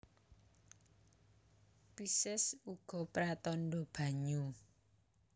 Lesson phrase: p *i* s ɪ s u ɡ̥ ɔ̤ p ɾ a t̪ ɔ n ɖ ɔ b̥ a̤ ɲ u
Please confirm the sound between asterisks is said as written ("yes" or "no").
yes